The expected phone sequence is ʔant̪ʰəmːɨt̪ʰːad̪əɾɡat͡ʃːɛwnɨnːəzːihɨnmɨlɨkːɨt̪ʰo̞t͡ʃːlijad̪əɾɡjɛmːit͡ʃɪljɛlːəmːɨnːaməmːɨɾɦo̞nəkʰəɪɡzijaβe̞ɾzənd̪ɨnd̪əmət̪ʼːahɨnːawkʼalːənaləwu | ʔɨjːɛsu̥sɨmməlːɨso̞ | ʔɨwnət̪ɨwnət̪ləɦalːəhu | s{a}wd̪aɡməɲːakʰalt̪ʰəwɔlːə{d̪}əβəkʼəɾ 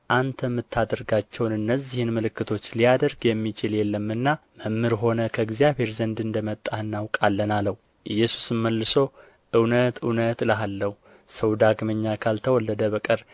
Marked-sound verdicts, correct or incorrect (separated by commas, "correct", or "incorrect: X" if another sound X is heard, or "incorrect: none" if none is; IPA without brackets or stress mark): incorrect: ə, correct